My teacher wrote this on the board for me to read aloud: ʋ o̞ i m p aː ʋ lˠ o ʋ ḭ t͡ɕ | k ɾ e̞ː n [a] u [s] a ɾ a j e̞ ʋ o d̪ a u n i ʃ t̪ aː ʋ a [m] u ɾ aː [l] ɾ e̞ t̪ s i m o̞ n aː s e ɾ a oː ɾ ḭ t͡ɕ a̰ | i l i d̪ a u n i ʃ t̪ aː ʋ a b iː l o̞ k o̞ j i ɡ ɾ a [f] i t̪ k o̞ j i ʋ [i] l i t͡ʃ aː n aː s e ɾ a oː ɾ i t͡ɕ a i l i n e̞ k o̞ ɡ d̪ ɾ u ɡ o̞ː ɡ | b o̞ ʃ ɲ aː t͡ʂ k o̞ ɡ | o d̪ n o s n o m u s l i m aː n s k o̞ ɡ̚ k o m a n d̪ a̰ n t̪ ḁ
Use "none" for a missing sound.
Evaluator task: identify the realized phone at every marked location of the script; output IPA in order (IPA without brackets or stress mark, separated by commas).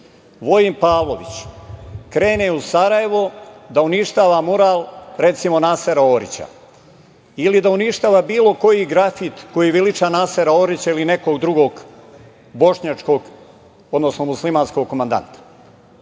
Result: e, s, m, l, f, i